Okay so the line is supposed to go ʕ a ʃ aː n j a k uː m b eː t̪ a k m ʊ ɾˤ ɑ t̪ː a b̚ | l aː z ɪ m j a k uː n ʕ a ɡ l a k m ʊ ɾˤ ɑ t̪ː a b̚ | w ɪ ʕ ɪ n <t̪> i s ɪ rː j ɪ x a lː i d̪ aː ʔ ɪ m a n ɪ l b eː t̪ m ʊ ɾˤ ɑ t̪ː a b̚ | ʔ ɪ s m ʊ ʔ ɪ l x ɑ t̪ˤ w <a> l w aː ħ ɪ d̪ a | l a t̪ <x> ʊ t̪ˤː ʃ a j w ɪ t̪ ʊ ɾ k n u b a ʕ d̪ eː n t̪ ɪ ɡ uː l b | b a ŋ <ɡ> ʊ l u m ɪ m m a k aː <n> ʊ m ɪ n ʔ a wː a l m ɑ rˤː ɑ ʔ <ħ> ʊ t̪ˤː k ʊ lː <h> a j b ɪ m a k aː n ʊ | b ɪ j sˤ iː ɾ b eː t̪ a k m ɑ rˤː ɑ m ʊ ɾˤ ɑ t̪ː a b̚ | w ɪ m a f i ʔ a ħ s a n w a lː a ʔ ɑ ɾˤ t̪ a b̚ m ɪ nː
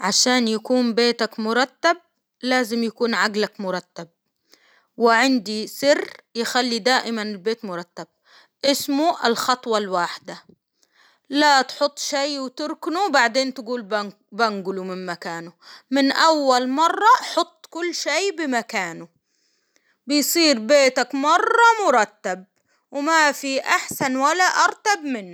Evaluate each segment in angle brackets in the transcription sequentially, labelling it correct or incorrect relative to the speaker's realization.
incorrect: d̪, incorrect: ɑ, incorrect: ħ, correct, correct, correct, incorrect: ʃ

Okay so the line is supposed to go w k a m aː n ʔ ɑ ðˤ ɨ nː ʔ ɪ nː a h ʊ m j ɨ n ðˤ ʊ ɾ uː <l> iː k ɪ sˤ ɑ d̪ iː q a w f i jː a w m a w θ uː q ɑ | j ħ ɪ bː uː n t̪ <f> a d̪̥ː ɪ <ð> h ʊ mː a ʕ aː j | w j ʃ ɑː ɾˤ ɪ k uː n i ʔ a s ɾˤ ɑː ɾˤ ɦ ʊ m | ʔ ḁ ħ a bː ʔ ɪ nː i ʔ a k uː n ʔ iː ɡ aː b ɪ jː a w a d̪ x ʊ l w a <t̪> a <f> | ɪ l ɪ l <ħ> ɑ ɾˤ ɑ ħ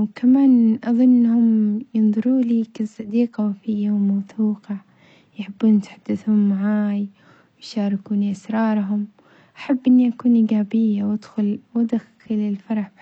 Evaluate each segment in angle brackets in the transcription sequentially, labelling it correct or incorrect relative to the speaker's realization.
correct, incorrect: ħ, incorrect: θ, incorrect: d̪, incorrect: x, incorrect: f

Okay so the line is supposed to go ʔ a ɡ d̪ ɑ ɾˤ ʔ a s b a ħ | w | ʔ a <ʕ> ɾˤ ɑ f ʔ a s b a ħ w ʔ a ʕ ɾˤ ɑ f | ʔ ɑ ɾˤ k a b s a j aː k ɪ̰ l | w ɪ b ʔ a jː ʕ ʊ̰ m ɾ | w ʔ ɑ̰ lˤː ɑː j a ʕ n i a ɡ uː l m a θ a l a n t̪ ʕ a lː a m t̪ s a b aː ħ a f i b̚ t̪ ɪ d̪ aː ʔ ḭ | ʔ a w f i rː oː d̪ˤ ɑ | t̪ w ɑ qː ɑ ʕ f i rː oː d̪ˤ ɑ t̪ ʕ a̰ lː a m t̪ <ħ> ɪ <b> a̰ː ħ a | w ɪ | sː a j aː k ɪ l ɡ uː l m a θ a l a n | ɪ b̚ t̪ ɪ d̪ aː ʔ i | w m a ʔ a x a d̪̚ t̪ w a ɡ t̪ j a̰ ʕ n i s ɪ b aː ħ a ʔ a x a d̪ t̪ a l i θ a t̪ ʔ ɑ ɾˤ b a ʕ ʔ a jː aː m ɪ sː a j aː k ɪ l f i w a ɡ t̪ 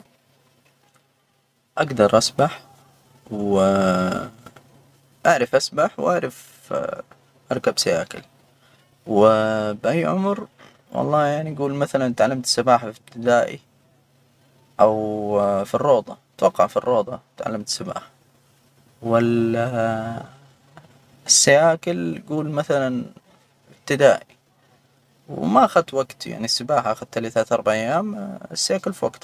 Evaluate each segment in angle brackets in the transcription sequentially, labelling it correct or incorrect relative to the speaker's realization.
correct, incorrect: s, correct

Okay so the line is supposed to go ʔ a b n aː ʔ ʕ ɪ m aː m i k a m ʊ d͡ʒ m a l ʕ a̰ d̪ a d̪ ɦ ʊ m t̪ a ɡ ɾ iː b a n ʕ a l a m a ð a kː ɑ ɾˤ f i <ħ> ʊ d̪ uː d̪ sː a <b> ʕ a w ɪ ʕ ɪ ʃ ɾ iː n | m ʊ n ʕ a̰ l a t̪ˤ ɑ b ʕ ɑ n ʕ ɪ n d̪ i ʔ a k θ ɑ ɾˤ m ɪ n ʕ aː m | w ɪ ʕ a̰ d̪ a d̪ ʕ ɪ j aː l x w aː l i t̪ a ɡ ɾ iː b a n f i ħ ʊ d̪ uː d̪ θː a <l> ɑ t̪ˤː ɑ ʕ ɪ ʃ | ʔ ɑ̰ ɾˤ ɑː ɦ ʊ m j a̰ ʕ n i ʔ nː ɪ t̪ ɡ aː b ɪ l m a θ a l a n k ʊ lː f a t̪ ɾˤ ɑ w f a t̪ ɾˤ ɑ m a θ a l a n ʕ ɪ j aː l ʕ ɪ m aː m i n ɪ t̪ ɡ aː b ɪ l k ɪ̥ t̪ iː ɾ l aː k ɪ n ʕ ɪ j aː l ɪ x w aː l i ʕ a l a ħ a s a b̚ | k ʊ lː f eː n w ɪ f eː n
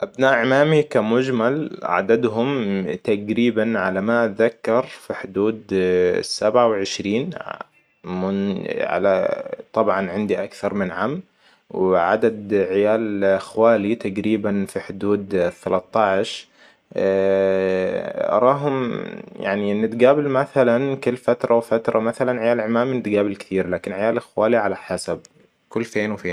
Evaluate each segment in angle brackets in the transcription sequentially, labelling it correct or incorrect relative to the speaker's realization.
correct, correct, correct

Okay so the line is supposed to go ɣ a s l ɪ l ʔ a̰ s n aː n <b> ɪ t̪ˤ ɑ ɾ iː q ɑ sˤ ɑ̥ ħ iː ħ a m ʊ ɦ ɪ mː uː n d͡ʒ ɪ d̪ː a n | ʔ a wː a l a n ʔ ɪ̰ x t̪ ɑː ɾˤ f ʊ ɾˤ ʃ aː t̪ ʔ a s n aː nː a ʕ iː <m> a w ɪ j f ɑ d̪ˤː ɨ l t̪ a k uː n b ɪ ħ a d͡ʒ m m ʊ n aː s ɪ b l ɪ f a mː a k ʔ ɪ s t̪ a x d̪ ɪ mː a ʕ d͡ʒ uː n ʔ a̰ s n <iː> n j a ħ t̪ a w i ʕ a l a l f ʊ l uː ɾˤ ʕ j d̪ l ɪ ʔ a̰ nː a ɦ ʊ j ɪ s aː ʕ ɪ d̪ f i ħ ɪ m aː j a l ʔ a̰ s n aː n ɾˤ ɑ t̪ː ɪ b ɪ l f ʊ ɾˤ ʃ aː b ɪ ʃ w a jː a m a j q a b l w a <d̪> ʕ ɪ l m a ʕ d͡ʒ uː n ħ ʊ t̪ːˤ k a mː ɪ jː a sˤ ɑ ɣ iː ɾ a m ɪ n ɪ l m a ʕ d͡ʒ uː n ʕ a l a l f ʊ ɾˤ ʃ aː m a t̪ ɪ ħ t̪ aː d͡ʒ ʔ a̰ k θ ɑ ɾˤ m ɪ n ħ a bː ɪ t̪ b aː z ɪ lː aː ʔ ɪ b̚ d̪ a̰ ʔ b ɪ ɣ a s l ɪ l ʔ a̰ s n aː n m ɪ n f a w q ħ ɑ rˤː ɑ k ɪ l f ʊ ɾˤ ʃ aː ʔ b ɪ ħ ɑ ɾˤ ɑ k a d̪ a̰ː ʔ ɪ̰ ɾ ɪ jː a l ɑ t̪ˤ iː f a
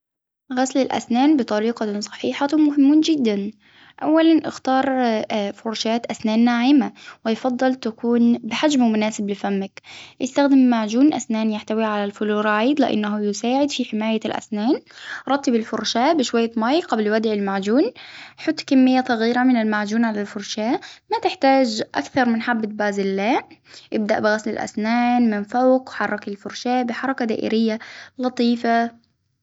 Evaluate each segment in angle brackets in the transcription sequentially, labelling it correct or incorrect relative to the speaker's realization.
correct, correct, incorrect: aː, correct

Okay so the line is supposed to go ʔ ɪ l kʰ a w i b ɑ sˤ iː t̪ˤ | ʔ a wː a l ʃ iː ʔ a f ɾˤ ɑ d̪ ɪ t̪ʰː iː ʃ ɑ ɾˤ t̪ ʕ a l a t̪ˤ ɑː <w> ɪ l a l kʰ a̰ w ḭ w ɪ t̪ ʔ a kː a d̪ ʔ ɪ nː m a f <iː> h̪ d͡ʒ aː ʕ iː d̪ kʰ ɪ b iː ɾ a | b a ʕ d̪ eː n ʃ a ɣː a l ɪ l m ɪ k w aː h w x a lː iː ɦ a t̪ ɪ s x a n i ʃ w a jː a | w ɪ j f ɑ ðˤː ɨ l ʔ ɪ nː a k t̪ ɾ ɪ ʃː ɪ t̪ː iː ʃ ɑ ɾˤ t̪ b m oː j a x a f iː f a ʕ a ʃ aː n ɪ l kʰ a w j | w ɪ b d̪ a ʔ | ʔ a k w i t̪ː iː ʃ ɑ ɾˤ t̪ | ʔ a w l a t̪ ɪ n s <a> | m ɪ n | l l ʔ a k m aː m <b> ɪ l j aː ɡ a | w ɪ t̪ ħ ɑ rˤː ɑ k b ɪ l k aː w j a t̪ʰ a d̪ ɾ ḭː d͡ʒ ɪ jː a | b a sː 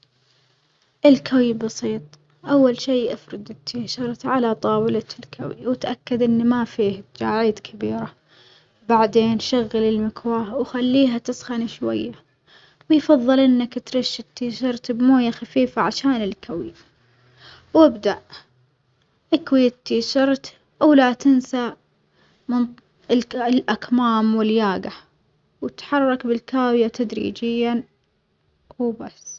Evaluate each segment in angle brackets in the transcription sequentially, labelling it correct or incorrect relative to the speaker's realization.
correct, correct, correct, incorrect: w

